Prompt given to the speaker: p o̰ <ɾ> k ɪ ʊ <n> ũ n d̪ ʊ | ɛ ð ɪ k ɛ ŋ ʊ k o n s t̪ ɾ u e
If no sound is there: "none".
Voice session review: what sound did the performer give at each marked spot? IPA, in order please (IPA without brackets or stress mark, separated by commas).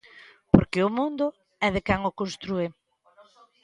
ɾ, m